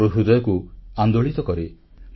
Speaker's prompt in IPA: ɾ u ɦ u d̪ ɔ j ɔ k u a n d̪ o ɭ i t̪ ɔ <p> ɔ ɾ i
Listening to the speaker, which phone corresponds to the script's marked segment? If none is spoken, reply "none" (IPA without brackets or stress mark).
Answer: k